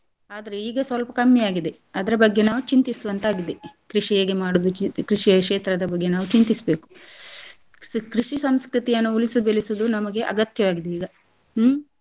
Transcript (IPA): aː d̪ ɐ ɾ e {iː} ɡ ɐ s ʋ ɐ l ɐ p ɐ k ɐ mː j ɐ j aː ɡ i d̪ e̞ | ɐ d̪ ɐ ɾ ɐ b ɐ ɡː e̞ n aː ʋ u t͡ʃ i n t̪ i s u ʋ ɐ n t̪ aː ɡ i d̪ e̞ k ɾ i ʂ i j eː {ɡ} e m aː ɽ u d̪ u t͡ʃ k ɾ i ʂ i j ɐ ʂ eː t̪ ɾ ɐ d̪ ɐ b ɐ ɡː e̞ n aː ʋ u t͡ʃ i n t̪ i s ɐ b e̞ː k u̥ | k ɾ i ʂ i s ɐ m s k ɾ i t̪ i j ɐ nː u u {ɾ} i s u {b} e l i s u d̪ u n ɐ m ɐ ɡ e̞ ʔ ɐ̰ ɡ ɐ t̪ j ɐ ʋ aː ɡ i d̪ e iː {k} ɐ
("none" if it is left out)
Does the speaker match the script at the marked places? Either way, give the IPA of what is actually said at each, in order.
iː, ɡ, l, b, ɡ

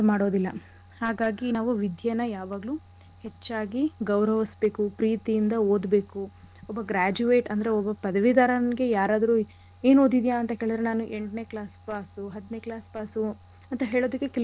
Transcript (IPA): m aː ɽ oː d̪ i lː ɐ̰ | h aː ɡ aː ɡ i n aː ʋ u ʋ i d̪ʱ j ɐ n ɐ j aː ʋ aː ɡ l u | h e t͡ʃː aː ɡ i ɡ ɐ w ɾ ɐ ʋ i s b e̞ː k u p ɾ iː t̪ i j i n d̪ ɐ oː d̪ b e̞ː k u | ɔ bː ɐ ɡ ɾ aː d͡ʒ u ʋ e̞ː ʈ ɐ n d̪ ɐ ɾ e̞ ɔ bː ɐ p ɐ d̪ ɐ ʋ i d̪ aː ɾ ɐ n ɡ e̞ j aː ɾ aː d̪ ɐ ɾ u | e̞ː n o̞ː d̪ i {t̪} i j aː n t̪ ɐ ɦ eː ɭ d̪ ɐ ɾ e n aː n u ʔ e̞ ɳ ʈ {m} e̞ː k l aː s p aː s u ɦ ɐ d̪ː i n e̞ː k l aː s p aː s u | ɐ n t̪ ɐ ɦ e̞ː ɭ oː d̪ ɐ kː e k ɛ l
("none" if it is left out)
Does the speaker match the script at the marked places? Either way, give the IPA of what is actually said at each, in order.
d̪, n

